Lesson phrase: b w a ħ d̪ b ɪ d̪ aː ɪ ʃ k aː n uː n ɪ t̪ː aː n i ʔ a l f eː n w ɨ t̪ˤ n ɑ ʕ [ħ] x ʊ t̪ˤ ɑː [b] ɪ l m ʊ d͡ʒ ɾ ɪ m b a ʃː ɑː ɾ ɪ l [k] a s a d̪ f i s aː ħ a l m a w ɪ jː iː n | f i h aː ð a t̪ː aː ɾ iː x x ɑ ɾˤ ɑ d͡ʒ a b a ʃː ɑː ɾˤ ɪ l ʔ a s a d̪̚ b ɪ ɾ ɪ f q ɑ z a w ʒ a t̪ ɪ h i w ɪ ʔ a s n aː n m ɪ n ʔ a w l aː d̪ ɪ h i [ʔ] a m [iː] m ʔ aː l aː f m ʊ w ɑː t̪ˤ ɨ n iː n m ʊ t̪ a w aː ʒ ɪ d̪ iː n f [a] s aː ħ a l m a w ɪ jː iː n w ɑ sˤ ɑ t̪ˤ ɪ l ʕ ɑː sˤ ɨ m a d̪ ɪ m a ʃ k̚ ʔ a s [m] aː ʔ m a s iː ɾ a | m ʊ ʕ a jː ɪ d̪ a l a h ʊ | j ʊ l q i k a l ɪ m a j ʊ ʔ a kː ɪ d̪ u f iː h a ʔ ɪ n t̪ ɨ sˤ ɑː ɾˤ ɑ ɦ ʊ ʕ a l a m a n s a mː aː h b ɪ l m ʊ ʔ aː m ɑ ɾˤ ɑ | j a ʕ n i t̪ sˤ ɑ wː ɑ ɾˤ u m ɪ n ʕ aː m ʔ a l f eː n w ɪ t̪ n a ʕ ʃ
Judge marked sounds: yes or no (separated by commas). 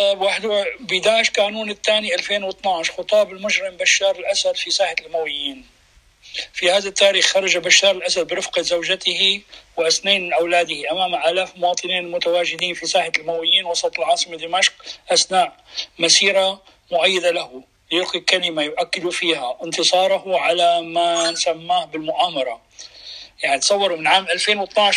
no, yes, no, yes, no, no, no